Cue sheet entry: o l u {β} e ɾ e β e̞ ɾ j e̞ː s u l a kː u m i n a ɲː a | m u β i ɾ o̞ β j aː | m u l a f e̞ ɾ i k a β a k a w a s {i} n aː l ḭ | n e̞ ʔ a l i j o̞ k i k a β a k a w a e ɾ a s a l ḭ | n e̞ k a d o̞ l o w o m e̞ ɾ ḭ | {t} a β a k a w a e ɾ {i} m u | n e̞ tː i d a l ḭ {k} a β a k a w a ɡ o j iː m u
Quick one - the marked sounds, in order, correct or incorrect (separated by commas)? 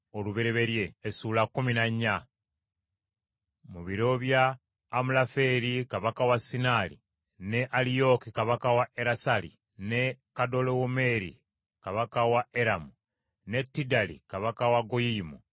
correct, correct, incorrect, incorrect, correct